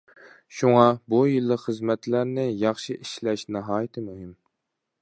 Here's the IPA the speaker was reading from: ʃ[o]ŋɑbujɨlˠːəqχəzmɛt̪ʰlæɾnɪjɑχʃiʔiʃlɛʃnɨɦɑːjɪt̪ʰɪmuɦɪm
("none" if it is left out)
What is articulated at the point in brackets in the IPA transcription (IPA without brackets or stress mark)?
u